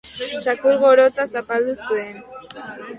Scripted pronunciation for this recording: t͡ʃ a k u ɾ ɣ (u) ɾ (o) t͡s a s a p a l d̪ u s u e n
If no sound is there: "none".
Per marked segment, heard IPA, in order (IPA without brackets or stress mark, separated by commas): o, o